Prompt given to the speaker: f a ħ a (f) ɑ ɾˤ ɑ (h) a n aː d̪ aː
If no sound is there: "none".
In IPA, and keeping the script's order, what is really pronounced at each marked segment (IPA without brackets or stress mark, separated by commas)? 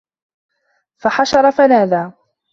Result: ʃ, f